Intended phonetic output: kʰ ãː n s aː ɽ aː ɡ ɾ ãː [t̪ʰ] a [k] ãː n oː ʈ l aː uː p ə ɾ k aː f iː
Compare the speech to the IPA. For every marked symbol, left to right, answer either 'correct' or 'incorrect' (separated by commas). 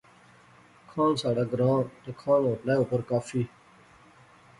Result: incorrect, incorrect